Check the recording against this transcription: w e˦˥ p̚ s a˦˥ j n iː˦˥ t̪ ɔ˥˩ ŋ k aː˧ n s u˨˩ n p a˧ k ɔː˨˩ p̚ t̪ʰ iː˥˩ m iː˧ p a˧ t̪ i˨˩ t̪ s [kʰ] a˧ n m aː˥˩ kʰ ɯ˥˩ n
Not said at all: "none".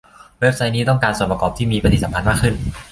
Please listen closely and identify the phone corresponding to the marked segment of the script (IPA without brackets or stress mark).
pʰ